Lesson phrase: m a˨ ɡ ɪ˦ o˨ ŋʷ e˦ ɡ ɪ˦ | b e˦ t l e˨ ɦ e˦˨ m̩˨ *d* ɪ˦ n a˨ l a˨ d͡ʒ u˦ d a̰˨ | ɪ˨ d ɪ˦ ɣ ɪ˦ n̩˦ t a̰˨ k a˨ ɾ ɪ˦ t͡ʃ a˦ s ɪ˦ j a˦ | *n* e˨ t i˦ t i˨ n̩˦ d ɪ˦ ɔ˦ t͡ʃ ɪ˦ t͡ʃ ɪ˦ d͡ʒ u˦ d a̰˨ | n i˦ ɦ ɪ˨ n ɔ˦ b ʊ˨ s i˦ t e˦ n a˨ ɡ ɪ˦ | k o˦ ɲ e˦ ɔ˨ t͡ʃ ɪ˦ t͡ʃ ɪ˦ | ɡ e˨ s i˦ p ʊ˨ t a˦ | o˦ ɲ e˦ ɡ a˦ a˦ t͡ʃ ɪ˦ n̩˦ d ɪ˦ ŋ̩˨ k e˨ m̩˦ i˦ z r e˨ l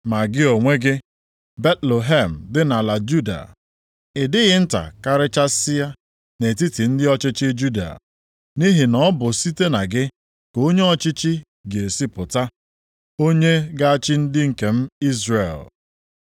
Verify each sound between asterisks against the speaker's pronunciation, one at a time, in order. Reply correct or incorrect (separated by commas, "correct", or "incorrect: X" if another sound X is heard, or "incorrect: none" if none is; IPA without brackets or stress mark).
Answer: correct, correct